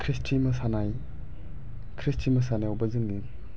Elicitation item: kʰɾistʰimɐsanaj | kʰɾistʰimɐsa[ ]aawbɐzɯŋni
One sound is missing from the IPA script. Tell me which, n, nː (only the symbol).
n